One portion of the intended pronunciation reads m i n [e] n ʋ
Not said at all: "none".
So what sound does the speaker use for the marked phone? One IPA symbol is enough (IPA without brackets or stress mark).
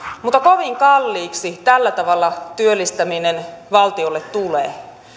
e